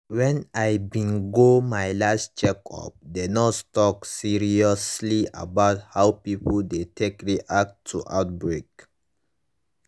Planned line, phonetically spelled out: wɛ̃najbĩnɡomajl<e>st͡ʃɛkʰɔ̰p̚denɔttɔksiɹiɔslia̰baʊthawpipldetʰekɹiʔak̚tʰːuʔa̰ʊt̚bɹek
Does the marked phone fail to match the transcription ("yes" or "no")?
yes